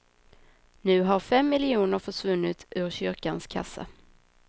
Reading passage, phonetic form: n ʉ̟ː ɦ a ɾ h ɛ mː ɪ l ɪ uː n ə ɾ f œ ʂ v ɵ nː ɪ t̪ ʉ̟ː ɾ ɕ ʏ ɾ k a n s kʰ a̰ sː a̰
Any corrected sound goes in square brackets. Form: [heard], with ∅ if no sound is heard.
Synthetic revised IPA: n ʉ̟ː ɦ a ɾ [f] ɛ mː ɪ l ɪ uː n ə ɾ f œ ʂ v ɵ nː ɪ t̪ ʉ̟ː ɾ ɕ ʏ ɾ k a n s kʰ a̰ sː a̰